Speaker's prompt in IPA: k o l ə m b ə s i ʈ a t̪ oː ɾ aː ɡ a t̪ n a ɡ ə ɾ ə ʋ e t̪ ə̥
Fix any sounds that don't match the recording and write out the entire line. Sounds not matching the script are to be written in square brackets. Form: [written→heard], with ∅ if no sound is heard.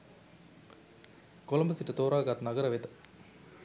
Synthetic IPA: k o l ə m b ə s i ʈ [a→ə] t̪ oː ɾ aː ɡ a t̪ n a ɡ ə ɾ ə ʋ e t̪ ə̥